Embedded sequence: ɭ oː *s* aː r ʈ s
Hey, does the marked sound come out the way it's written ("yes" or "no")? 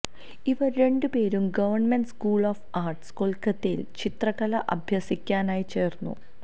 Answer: no